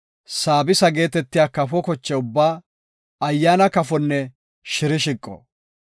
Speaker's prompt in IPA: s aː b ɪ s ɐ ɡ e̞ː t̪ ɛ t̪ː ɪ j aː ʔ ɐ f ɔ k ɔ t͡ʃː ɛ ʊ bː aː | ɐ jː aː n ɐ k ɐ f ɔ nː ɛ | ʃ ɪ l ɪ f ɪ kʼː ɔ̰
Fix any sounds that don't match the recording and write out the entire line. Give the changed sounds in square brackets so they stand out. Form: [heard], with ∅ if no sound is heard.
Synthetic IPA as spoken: s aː b ɪ s ɐ ɡ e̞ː t̪ ɛ t̪ː ɪ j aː [k] ɐ f ɔ k ɔ t͡ʃː ɛ ʊ bː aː | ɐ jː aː n ɐ k ɐ f ɔ nː ɛ | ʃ ɪ [ɾ] ɪ [ʃ] ɪ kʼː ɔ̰